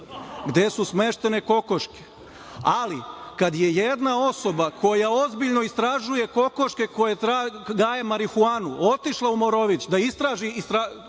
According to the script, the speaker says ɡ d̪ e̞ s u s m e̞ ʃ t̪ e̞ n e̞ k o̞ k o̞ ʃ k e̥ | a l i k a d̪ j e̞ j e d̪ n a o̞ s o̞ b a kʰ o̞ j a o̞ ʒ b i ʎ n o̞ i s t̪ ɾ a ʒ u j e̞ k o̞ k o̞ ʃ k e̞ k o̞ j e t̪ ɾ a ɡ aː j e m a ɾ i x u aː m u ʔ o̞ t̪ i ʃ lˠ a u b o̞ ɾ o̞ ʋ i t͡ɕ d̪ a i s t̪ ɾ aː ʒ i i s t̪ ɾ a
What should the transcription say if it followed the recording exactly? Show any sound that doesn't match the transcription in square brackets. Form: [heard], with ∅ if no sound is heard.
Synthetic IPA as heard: ɡ d̪ e̞ s u s m e̞ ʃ t̪ e̞ n e̞ k o̞ k o̞ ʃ k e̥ | a l i k a d̪ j e̞ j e d̪ n a o̞ s o̞ b a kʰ o̞ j a o̞ [z] b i ʎ n o̞ i s t̪ ɾ a ʒ u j e̞ k o̞ k o̞ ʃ k e̞ k o̞ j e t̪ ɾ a ɡ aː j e m a ɾ i x u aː [n] u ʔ o̞ t̪ i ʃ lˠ a u [m] o̞ ɾ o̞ ʋ i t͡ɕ d̪ a i s t̪ ɾ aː ʒ i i s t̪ ɾ a